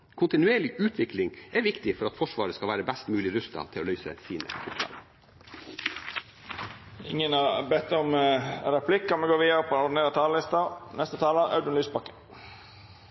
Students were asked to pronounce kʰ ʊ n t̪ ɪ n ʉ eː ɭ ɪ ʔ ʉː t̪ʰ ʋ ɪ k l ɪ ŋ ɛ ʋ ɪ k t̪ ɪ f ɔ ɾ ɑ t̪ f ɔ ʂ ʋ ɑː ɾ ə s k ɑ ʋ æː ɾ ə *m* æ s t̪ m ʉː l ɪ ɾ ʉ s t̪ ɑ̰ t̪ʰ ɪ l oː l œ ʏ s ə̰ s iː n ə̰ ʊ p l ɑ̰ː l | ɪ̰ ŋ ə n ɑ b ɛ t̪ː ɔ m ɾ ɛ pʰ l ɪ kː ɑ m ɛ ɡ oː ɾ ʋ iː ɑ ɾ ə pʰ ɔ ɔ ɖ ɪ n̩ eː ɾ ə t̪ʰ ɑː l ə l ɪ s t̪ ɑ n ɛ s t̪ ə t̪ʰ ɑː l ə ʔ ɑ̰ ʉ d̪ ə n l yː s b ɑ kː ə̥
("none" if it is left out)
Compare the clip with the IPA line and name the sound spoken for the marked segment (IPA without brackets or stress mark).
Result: b